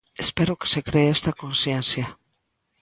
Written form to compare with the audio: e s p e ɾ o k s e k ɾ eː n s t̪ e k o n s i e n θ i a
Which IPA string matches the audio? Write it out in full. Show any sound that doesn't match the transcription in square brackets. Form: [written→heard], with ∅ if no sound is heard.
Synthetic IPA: e s p e ɾ o k s e k ɾ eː [n→∅] s t̪ [e→a] k o n s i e n [θ→s] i a